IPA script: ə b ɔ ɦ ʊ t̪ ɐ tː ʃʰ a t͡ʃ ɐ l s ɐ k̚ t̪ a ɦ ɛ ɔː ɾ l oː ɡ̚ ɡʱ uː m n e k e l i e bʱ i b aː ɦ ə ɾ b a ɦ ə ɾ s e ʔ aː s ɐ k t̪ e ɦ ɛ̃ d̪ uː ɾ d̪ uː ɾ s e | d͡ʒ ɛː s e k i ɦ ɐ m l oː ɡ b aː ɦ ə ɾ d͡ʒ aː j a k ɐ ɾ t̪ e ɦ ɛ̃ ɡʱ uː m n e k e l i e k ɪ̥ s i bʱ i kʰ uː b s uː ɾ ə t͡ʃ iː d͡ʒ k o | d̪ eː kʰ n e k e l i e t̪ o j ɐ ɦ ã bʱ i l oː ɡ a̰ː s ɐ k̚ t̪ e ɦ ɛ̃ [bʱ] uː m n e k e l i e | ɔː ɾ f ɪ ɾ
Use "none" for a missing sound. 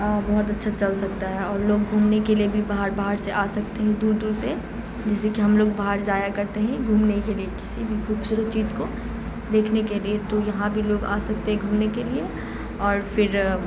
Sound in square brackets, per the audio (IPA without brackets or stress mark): ɡʱ